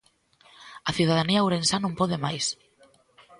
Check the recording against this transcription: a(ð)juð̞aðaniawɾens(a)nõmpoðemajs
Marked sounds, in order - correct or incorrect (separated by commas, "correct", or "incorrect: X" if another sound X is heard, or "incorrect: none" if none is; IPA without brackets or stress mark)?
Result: incorrect: θ, correct